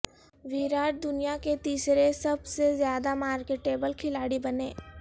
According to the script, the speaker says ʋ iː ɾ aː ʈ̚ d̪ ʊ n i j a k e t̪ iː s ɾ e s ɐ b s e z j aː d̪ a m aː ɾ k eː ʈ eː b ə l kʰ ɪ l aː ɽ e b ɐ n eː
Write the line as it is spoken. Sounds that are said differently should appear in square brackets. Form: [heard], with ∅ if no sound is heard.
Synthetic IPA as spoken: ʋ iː ɾ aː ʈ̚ d̪ ʊ n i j a k e t̪ iː s ɾ e s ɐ b s e z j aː d̪ a m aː ɾ k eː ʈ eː b ə l kʰ ɪ l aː ɽ [i] b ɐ n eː